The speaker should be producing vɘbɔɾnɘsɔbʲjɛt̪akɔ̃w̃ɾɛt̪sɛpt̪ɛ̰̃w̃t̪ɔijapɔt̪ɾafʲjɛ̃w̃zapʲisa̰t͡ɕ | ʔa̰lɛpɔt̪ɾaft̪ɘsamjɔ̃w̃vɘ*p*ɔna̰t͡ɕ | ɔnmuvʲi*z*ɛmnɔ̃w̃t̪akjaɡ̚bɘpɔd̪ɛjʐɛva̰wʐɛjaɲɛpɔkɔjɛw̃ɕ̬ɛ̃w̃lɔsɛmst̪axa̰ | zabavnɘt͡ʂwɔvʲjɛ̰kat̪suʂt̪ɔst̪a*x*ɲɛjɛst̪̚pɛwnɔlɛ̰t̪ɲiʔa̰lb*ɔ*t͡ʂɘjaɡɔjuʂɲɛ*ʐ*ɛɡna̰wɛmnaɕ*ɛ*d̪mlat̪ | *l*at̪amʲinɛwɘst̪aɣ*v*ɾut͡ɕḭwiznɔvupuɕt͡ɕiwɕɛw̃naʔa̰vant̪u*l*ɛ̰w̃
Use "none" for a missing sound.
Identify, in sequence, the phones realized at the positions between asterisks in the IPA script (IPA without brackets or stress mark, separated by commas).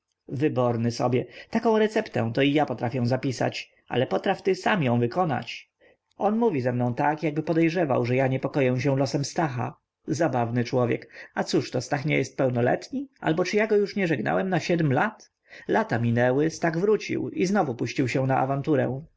k, z, x, ɔ, ʐ, ɛ, l, v, ɾ